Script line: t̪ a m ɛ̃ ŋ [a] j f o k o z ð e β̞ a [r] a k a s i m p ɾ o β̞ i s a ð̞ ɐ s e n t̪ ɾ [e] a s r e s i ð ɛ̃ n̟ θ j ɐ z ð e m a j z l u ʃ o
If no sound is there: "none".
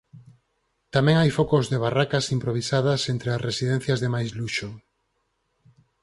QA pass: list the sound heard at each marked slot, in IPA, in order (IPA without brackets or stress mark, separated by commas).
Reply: a, r, e